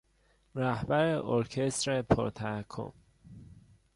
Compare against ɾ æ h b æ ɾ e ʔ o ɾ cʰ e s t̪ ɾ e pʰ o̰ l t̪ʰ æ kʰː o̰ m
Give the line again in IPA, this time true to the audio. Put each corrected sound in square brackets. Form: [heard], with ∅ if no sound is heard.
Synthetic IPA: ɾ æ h b æ ɾ e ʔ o ɾ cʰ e s t̪ ɾ e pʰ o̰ [ɾ] t̪ʰ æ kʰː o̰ m